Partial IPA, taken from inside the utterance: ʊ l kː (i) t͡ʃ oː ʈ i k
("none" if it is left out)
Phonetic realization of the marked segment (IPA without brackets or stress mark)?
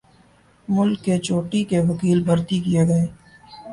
e